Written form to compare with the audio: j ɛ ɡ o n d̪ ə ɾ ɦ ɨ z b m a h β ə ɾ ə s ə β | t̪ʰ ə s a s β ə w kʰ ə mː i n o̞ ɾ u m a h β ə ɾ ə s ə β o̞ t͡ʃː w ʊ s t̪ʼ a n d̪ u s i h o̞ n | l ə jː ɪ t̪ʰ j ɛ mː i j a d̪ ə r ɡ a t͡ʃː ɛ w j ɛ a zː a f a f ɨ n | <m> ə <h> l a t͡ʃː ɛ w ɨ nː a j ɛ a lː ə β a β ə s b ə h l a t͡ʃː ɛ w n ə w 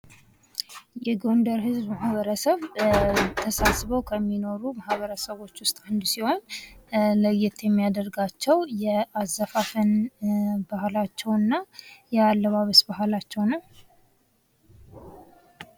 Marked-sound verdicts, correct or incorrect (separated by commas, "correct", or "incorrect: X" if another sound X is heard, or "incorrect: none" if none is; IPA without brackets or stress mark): incorrect: b, correct